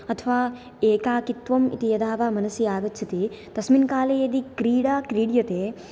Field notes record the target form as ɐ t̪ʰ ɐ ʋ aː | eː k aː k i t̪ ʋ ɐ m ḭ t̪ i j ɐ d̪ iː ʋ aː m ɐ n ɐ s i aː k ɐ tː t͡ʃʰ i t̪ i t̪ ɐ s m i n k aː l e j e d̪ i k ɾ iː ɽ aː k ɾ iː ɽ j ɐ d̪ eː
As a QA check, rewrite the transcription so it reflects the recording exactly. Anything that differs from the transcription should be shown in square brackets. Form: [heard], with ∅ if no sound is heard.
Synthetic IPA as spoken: ɐ t̪ʰ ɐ ʋ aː | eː k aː k i t̪ ʋ ɐ m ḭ t̪ i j ɐ d̪ [aː] ʋ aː m ɐ n ɐ s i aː [ɡ] ɐ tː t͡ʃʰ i t̪ i t̪ ɐ s m i n k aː l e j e d̪ i k ɾ iː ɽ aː k ɾ iː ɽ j ɐ [t̪] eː

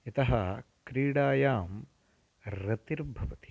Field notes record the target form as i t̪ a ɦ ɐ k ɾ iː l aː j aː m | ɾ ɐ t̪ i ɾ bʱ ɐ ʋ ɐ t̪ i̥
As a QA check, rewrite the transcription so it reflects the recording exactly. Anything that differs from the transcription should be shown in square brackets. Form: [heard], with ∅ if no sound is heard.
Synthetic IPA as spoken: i t̪ [ɐ] ɦ ɐ k ɾ iː [ɽ] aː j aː m | ɾ ɐ t̪ i ɾ bʱ ɐ ʋ ɐ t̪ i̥

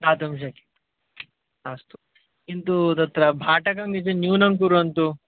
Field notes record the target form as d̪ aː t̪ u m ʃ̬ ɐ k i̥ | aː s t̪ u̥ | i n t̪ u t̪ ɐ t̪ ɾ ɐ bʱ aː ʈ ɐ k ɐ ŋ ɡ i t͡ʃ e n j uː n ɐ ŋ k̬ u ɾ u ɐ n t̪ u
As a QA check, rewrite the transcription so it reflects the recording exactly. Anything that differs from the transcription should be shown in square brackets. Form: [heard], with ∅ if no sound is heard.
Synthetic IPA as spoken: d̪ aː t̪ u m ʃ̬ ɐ k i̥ | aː s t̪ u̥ | i n t̪ u t̪ ɐ t̪ ɾ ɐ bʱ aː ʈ ɐ k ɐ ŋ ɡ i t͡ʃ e n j uː n ɐ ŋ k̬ u ɾ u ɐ n t̪ u

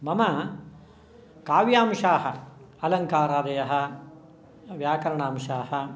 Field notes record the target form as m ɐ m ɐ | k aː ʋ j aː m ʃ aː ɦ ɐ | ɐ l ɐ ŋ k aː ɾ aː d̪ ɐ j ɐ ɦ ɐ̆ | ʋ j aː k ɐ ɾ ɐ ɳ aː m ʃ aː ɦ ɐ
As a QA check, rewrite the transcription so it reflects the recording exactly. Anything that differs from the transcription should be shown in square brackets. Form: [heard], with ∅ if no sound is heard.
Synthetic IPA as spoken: m ɐ m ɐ | k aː ʋ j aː m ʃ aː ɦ ɐ | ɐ l ɐ ŋ k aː ɾ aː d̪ ɐ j ɐ ɦ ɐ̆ | ʋ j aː k ɐ ɾ ɐ ɳ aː m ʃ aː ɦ ɐ

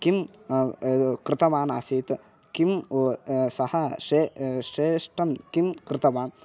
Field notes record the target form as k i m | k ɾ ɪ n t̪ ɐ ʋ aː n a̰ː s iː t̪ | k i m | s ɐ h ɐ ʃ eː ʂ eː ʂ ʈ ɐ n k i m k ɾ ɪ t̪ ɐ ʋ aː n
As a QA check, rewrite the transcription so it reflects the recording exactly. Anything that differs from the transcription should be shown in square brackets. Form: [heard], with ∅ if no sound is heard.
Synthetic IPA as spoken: k i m | k ɾ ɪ [∅] t̪ ɐ ʋ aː n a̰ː s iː t̪ | k i m | s ɐ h ɐ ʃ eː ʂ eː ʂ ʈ ɐ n k i m k ɾ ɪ t̪ ɐ ʋ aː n

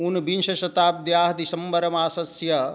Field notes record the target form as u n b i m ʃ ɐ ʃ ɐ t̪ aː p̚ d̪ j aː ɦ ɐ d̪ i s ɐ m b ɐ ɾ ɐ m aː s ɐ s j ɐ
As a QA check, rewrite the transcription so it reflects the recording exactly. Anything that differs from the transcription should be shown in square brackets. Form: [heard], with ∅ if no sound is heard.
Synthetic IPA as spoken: u n b i [n] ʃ ɐ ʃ ɐ t̪ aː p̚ d̪ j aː ɦ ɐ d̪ i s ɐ m b ɐ ɾ ɐ m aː s ɐ s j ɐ

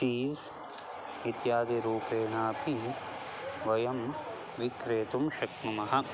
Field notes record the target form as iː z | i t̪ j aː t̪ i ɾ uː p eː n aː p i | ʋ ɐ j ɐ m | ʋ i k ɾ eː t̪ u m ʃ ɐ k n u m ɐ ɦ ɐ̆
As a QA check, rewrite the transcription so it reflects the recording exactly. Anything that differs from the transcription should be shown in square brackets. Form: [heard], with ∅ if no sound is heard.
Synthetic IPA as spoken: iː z | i t̪ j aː [d̪] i ɾ uː p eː n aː p i | ʋ ɐ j ɐ m | ʋ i k ɾ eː t̪ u m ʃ ɐ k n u m ɐ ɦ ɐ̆

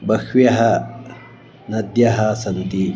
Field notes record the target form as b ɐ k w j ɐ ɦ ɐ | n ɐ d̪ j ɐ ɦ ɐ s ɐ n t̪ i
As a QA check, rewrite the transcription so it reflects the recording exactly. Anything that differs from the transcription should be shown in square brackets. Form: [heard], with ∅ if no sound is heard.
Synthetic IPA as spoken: b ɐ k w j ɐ ɦ ɐ | n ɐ d̪ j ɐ ɦ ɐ s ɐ n t̪ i

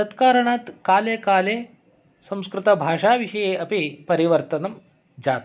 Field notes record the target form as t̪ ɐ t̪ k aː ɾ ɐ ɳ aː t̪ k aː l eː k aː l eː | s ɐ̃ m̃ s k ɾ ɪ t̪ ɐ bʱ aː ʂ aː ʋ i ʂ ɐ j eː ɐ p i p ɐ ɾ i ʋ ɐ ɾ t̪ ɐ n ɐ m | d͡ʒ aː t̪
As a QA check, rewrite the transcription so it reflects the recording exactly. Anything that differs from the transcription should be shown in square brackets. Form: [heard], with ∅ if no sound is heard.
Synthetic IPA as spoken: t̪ ɐ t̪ k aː ɾ ɐ ɳ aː t̪ k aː l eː k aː l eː | s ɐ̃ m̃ s k ɾ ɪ t̪ ɐ bʱ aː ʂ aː ʋ i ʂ ɐ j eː ɐ p i p ɐ ɾ i ʋ ɐ ɾ t̪ ɐ n ɐ m | d͡ʒ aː t̪

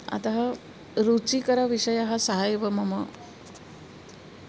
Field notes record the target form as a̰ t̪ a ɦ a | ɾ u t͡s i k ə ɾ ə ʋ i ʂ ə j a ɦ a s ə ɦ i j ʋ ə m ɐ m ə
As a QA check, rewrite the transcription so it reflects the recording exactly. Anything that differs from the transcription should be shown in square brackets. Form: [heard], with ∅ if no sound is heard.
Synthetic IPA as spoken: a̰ t̪ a ɦ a | ɾ u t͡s i k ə ɾ [a] ʋ i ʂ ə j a ɦ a s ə ɦ [a] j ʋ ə m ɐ m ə

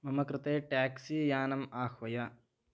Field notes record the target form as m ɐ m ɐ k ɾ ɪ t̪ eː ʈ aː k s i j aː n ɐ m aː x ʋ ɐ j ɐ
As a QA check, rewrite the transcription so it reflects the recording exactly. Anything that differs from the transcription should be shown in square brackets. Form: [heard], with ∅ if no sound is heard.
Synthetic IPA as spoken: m ɐ m ɐ k ɾ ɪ t̪ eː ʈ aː k s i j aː n ɐ m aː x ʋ ɐ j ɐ

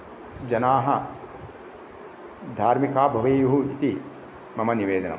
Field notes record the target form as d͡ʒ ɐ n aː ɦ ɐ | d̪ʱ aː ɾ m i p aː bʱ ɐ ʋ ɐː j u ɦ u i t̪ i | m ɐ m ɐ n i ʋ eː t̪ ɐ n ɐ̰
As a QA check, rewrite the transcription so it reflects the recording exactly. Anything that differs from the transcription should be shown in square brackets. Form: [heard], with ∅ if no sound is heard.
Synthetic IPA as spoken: d͡ʒ ɐ n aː ɦ ɐ | d̪ʱ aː ɾ m i [k] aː bʱ ɐ ʋ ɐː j u ɦ u i t̪ i | m ɐ m ɐ n i ʋ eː [d̪] ɐ n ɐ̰

